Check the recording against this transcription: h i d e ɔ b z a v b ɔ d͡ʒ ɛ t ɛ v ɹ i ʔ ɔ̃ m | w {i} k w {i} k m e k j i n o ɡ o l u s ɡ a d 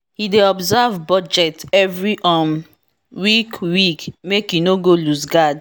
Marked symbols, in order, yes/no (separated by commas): yes, yes